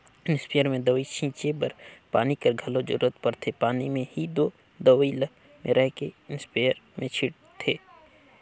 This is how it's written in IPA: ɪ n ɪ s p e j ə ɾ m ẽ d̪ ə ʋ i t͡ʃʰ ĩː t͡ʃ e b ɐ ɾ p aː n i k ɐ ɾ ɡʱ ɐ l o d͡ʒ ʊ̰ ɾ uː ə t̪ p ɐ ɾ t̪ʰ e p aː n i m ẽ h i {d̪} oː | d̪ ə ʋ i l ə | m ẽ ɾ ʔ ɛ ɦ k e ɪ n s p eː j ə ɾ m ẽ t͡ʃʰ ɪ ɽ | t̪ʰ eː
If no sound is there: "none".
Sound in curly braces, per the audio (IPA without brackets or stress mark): d̪